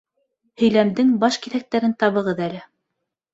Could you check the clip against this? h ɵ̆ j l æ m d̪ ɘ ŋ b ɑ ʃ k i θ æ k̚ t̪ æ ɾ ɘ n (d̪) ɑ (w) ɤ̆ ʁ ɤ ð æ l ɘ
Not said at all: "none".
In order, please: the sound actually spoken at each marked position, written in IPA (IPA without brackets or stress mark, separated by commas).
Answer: t̪, β